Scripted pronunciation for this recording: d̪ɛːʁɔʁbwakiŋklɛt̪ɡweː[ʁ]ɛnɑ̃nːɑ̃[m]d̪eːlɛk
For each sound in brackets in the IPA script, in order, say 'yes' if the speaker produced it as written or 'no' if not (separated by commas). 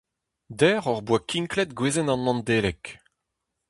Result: no, no